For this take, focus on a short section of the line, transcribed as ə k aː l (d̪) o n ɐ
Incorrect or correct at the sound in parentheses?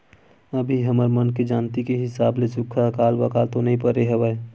incorrect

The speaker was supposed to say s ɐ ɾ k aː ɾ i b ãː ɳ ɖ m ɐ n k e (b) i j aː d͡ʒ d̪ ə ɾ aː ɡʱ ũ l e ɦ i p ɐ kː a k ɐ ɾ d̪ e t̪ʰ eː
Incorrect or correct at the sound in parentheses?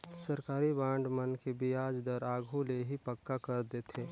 correct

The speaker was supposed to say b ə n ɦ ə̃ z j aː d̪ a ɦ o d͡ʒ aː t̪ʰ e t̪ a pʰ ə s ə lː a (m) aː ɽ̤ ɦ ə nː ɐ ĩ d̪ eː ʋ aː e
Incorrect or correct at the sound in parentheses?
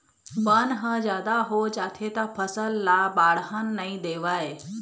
incorrect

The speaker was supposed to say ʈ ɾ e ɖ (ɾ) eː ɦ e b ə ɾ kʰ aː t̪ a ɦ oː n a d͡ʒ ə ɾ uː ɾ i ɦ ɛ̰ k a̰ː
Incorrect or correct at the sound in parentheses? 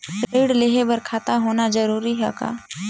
incorrect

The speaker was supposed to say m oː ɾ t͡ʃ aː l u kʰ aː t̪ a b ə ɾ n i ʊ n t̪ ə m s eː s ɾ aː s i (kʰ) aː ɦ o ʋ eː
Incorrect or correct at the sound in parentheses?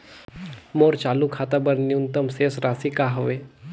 incorrect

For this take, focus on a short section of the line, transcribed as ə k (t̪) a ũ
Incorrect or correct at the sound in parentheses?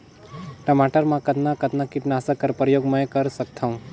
incorrect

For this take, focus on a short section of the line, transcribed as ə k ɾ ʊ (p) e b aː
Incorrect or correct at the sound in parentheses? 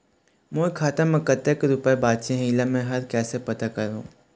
correct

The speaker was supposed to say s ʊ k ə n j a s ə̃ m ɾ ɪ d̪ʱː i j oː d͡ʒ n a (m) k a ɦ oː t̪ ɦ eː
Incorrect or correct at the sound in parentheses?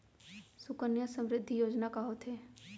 incorrect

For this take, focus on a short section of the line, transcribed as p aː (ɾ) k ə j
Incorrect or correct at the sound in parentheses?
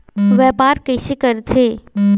correct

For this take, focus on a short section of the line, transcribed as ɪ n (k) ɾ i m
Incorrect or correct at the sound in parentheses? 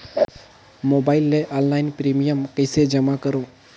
incorrect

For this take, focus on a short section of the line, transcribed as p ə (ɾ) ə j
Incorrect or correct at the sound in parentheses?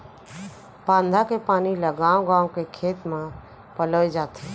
incorrect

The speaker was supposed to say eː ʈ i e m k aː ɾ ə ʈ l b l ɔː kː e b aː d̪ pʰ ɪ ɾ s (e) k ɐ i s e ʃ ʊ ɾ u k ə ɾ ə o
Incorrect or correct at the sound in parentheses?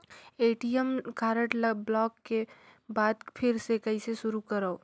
correct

